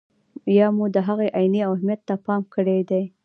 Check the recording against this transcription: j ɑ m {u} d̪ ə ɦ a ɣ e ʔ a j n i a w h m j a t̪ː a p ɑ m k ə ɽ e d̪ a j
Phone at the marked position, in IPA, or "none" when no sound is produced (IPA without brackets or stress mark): u